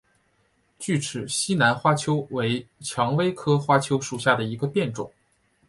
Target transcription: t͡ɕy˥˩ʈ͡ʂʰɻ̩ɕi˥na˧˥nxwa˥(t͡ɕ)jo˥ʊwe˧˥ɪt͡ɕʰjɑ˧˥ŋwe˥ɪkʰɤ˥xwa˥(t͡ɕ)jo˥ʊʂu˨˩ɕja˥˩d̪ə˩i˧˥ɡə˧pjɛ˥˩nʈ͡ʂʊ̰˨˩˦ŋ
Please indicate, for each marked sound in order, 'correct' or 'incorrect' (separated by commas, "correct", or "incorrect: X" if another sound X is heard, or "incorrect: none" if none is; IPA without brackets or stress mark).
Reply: incorrect: t͡ɕʰ, incorrect: t͡ɕʰ